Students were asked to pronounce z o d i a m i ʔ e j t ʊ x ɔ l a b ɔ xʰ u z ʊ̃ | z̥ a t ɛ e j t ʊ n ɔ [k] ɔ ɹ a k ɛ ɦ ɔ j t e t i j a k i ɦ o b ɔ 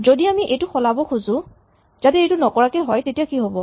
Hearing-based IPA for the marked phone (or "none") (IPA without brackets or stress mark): k